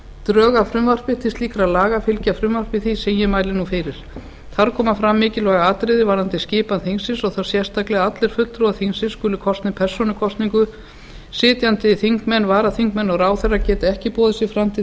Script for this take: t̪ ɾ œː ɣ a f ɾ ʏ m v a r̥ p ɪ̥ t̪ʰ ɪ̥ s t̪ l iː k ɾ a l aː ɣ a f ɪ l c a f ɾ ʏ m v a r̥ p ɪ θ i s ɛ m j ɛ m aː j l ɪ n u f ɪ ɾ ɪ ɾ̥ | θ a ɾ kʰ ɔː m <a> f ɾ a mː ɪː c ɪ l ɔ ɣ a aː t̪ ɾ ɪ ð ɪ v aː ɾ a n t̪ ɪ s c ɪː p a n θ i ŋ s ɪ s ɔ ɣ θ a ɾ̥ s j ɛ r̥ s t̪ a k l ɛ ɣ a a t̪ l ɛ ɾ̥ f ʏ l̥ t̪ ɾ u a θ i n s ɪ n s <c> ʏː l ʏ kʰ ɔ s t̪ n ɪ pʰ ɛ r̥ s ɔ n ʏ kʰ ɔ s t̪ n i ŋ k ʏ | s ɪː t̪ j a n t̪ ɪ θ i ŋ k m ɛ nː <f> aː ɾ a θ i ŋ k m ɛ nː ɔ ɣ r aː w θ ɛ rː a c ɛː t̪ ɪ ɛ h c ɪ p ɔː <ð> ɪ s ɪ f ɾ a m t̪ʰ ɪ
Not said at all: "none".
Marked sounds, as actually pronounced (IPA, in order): a, k, v, ð

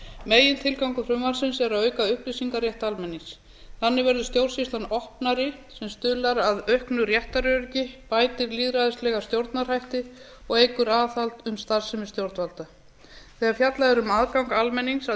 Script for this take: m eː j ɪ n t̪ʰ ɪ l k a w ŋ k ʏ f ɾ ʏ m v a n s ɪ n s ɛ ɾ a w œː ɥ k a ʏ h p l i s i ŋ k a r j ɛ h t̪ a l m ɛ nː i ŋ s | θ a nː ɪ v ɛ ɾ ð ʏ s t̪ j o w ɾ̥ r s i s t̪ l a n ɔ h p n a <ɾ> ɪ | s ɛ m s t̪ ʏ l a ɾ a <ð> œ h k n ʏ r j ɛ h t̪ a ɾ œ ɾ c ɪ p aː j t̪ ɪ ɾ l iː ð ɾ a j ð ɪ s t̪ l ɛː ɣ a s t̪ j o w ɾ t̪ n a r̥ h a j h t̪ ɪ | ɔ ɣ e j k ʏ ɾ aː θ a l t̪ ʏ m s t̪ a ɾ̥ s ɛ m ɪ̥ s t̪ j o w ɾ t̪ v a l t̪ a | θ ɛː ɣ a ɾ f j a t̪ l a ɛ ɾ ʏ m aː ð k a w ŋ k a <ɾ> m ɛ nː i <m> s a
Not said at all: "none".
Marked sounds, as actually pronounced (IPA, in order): ɾ, ð, l, ŋ

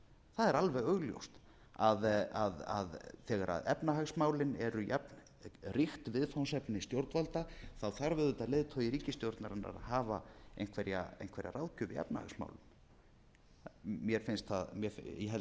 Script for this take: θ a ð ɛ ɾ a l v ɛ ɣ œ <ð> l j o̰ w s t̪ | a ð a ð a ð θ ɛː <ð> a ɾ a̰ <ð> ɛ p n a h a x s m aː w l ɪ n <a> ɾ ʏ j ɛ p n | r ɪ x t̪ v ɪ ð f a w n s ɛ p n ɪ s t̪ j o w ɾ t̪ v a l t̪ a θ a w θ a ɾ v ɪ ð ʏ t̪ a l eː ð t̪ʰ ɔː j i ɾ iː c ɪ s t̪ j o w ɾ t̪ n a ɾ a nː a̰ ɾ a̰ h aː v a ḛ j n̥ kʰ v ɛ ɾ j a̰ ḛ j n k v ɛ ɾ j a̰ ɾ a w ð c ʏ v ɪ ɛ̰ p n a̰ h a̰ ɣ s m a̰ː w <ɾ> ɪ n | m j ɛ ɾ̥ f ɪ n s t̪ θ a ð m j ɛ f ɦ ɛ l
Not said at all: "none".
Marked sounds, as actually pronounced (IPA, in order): ɣ, ɣ, ð, ɛ, l

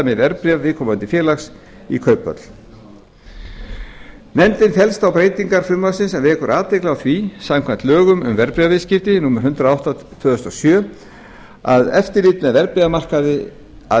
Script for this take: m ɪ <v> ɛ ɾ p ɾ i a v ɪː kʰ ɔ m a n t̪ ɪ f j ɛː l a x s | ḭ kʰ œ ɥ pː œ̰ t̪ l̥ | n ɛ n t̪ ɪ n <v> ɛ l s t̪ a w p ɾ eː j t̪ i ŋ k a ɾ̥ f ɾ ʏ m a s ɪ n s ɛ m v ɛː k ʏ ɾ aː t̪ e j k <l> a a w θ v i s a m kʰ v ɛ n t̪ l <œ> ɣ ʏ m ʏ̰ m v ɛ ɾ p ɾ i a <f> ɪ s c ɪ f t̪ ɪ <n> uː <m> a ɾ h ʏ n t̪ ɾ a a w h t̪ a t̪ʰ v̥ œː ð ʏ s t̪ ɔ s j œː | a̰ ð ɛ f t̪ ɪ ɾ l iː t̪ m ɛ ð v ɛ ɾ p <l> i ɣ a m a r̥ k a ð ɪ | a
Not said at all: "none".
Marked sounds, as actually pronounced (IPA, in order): v, f, l, œː, v, n, m, ɾ

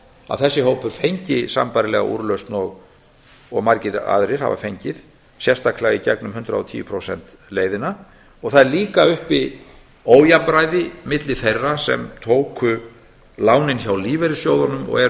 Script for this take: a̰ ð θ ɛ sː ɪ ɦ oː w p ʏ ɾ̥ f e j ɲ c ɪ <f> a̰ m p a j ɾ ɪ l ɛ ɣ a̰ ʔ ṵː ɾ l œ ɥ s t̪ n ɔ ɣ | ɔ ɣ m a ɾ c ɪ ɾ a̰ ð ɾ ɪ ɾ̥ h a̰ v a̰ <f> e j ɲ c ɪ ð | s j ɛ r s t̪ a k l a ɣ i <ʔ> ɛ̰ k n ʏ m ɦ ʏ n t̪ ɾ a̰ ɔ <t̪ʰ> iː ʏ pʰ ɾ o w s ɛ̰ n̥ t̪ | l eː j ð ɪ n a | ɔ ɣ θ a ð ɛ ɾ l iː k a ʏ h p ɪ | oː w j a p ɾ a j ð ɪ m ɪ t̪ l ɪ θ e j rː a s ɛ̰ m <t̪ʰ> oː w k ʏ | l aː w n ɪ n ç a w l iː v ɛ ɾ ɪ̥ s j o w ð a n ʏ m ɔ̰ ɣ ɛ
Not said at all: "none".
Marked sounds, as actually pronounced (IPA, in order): s, f, c, t̪ʰ, t̪ʰ

